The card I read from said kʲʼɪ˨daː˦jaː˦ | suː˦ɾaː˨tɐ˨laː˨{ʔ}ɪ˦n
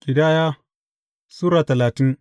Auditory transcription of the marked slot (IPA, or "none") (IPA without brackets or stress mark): t